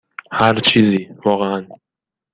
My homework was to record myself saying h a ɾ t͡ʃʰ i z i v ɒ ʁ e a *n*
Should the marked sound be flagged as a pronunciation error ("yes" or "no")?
no